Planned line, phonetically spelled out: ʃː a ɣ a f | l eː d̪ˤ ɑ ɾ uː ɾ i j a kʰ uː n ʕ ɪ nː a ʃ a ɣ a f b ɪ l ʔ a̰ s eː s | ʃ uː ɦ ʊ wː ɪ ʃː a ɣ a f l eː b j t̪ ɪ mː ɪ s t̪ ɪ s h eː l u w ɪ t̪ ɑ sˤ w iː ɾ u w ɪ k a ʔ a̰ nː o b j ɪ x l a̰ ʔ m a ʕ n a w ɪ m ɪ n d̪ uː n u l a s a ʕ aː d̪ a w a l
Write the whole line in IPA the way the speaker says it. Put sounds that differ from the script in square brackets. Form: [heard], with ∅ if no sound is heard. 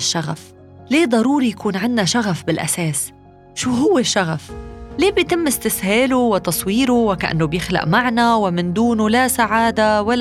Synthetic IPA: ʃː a ɣ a f | l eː d̪ˤ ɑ ɾ uː ɾ i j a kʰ uː n ʕ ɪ nː a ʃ a ɣ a f b ɪ l ʔ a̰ s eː s | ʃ uː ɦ ʊ wː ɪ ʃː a ɣ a f l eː b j t̪ ɪ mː ɪ s t̪ ɪ s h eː l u w ɪ t̪ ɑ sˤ w iː ɾ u w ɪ k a ʔ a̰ nː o b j ɪ x l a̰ ʔ m a ʕ n a w ɪ m ɪ n d̪ uː n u l a s a ʕ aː d̪ a w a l